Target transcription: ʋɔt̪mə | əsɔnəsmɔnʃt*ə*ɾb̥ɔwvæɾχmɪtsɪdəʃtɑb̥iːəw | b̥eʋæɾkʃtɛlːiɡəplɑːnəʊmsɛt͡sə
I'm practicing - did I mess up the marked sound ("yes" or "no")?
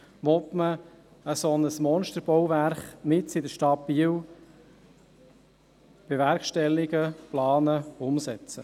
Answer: no